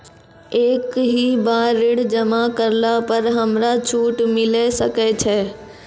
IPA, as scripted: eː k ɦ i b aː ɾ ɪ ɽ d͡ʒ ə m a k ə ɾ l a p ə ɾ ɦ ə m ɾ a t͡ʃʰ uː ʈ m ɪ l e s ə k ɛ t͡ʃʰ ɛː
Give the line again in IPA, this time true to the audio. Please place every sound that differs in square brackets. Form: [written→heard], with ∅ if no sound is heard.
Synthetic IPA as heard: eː k ɦ i b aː ɾ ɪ ɽ d͡ʒ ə m a k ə ɾ l a p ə ɾ ɦ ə m ɾ a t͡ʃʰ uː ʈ m ɪ l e s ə k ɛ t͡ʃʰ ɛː